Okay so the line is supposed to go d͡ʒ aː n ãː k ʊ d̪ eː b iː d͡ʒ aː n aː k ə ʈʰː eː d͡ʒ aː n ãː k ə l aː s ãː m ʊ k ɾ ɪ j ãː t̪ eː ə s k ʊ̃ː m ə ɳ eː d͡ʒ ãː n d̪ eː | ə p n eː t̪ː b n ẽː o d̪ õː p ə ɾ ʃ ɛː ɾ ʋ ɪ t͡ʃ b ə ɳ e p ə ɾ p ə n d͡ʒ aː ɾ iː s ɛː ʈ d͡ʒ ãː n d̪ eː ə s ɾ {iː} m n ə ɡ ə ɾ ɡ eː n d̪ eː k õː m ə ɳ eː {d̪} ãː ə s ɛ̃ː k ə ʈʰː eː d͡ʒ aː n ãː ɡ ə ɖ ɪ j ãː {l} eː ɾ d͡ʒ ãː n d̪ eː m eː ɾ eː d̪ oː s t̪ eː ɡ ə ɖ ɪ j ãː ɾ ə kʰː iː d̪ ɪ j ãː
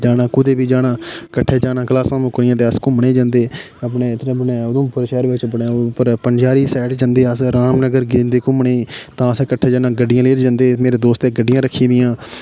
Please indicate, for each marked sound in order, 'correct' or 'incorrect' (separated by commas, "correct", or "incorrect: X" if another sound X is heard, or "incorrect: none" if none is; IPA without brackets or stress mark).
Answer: incorrect: aː, incorrect: t̪, correct